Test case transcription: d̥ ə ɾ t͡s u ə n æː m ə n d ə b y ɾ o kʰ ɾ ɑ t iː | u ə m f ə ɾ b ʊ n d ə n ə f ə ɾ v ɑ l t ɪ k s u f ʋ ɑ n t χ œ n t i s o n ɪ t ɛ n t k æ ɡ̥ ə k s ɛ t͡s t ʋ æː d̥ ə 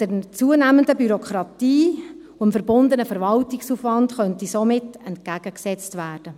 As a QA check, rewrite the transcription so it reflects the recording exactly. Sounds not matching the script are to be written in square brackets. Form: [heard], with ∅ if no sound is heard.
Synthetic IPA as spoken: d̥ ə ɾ t͡s u ə n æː m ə n d ə b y ɾ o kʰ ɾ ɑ t iː | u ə m f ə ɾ b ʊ n d ə n ə f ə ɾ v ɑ l t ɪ k s u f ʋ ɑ n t χ œ n t i s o [m] ɪ t ɛ n t k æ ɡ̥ ə k s ɛ t͡s t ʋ æː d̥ ə